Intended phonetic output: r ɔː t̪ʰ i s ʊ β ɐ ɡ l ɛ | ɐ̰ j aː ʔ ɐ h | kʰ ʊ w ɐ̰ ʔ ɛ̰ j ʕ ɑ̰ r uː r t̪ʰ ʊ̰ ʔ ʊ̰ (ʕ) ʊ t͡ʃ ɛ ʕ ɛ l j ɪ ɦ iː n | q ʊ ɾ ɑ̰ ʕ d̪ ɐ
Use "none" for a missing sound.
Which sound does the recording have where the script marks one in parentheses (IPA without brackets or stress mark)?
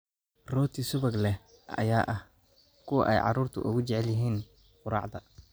ɣ